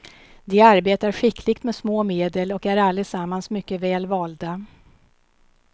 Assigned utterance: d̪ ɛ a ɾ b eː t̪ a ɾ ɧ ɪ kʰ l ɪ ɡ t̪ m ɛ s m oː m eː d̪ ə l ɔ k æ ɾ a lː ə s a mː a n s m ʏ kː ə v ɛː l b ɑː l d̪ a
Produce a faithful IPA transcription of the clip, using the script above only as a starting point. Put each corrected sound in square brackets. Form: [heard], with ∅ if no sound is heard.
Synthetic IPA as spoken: d̪ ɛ a ɾ b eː t̪ a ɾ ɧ ɪ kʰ l ɪ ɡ t̪ m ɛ s m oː m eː d̪ ə l ɔ k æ ɾ a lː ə s a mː a n s m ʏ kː ə v ɛː l [v] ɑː l d̪ a